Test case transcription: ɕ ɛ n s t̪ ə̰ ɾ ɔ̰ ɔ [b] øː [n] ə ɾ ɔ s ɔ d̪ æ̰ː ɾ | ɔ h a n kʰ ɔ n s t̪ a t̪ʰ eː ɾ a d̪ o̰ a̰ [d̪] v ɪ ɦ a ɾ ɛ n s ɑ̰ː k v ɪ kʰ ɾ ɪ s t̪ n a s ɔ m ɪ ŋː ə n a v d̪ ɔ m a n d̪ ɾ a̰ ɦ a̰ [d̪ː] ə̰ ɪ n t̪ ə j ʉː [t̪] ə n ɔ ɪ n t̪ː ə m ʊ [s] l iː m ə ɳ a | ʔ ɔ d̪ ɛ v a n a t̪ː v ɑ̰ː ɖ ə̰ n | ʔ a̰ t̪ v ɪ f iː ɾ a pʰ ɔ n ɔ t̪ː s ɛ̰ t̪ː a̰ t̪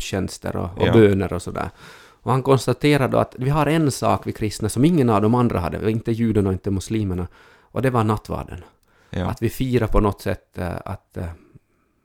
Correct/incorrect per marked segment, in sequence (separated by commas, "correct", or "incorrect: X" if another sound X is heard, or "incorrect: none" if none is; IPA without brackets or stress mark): correct, correct, incorrect: t̪, correct, incorrect: d̪, correct